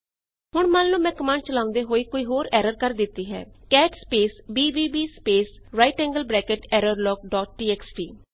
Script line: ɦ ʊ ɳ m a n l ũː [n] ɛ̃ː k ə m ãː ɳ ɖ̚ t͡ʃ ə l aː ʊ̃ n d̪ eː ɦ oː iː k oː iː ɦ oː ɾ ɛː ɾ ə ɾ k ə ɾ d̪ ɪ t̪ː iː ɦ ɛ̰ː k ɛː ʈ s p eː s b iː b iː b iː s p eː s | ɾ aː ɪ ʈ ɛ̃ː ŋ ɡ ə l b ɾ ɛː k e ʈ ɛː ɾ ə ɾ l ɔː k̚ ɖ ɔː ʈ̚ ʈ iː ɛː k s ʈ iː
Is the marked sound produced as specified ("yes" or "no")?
no